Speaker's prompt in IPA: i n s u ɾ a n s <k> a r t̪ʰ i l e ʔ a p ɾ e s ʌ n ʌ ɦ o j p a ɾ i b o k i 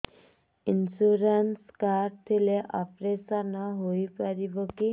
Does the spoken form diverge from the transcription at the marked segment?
no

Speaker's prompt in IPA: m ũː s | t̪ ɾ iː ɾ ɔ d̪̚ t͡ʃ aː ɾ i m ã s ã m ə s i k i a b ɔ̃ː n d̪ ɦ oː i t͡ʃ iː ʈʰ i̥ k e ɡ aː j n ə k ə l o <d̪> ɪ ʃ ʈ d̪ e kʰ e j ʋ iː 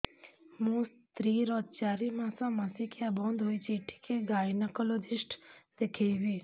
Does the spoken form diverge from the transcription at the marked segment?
no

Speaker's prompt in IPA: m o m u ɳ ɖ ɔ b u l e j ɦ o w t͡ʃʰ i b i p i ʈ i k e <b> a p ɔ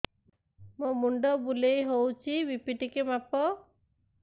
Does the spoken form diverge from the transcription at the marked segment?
yes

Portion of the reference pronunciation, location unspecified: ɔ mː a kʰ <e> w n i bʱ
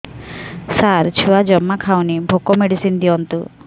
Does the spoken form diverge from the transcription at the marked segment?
yes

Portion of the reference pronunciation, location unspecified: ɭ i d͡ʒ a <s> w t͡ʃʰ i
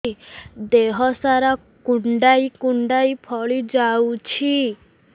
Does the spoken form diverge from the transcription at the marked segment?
yes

